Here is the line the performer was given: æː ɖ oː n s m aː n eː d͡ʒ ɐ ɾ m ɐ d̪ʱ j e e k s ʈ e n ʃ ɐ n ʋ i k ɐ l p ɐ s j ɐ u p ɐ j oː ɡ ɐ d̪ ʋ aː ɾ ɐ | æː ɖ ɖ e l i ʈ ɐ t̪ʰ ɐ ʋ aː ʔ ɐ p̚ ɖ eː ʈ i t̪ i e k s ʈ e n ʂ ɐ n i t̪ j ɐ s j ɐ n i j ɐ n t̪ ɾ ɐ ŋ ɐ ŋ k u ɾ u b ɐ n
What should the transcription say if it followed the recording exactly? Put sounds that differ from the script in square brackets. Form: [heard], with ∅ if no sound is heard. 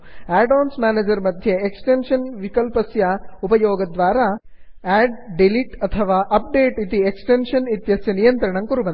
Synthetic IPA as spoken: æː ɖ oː n s m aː n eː d͡ʒ ɐ ɾ m ɐ d̪ʱ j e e k s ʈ e n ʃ ɐ n ʋ i k ɐ l p ɐ s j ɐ u p ɐ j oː ɡ ɐ d̪ ʋ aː ɾ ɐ | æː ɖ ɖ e l i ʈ ɐ t̪ʰ ɐ ʋ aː ʔ ɐ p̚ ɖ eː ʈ i t̪ i e k s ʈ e n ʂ ɐ n i t̪ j ɐ s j ɐ n i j ɐ n t̪ ɾ ɐ [ɳ] ɐ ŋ k u ɾ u b ɐ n